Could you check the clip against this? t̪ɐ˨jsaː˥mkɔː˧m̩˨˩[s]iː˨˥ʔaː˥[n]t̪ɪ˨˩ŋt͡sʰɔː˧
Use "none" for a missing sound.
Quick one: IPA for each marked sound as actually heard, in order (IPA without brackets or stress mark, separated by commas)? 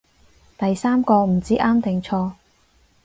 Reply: t͡s, m